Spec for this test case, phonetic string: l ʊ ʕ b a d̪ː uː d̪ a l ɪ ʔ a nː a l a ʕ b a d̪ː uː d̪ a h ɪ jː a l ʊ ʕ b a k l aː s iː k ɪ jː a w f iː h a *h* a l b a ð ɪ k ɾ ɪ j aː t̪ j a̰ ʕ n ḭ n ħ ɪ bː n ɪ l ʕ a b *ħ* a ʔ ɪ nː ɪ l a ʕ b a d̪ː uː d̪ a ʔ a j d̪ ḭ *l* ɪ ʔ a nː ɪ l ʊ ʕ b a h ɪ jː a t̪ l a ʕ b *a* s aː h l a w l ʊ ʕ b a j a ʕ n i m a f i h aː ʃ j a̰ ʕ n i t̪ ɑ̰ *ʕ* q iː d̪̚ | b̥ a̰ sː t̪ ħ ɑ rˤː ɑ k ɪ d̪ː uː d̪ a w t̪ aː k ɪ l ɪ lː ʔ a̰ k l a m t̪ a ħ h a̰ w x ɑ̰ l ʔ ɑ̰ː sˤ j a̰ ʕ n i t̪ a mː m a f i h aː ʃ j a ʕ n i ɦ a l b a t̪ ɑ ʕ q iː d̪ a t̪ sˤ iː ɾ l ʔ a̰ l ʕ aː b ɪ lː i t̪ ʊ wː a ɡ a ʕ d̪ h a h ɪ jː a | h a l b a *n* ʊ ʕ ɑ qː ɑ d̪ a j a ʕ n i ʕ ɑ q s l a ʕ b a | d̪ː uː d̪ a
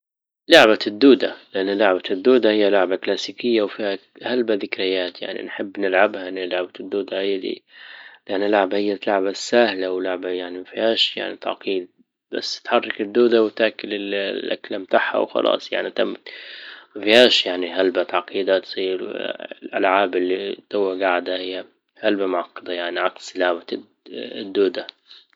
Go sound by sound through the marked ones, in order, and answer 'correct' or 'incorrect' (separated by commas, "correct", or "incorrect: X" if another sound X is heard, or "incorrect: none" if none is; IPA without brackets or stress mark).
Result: correct, incorrect: h, correct, correct, correct, incorrect: m